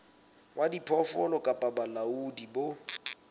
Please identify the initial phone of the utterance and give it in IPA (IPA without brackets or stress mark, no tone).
w